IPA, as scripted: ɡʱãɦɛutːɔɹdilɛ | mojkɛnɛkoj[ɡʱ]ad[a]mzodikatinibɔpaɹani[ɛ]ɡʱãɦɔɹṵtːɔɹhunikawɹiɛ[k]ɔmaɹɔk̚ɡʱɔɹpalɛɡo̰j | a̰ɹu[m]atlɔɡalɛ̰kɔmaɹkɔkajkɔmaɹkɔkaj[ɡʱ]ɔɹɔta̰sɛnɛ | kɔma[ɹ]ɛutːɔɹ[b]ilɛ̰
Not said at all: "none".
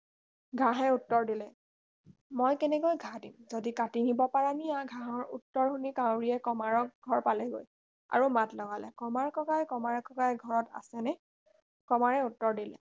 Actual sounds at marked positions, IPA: ɡʱ, i, a, k, m, ɡʱ, ɹ, d

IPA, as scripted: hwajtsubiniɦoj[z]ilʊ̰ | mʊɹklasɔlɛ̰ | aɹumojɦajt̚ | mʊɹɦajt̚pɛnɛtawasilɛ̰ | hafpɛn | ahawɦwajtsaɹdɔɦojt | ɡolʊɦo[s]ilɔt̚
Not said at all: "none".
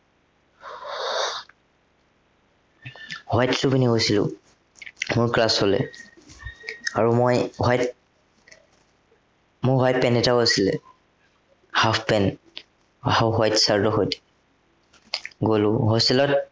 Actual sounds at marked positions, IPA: s, s

